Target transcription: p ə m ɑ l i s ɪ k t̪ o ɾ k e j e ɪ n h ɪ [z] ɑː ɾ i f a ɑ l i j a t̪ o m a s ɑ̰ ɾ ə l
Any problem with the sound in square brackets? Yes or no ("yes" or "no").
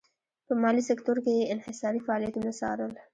yes